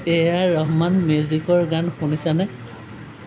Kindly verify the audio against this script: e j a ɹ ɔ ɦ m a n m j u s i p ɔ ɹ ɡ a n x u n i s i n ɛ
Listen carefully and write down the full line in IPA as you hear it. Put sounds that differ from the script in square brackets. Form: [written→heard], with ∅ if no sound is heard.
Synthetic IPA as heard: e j a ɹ ɔ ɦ m a n m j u [s→z] i [p→k] ɔ ɹ ɡ a n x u n i s [i→a] n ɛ